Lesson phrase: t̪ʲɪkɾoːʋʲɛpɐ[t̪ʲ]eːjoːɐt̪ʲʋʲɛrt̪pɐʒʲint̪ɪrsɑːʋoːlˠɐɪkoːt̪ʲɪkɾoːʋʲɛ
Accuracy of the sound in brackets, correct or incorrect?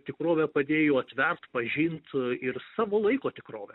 incorrect